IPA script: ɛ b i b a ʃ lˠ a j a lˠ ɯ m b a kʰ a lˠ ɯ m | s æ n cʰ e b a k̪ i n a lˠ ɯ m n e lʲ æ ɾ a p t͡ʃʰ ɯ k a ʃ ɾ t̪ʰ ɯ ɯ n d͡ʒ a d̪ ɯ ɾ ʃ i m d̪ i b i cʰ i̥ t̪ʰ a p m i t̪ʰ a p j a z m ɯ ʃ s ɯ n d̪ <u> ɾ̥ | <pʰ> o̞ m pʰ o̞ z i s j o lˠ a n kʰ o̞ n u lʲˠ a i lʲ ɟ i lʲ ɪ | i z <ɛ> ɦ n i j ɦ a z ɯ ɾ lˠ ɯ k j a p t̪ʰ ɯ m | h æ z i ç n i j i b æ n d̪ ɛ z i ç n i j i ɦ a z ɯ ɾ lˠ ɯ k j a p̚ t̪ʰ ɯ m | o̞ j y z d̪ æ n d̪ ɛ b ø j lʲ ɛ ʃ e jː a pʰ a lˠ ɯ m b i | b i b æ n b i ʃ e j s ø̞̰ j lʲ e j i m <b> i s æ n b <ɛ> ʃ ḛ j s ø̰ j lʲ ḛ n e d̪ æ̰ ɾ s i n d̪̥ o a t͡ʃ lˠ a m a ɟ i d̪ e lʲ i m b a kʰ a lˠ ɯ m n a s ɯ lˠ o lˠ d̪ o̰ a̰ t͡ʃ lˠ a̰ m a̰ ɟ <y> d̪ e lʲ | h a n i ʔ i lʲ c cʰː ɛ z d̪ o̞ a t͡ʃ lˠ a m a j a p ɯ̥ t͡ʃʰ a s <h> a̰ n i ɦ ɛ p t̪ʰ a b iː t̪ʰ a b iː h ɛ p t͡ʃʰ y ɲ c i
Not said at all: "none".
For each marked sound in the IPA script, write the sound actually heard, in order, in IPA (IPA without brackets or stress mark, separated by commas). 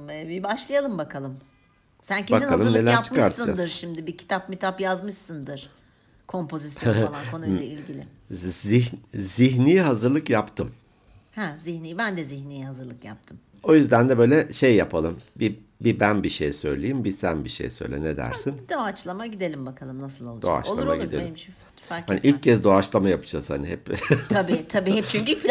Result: ɯ, kʰ, i, b, i, i, h